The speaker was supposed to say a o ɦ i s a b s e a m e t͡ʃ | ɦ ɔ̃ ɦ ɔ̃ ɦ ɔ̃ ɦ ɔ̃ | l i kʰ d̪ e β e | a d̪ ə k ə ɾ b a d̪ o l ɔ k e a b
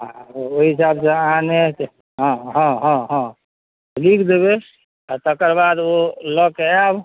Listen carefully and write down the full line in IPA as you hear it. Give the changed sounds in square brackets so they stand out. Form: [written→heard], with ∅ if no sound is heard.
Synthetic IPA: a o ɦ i s a b s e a [m→n] e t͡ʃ | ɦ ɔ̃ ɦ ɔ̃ ɦ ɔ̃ ɦ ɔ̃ | l i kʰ d̪ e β e | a [d̪→t̪] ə k ə ɾ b a d̪ o l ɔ k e a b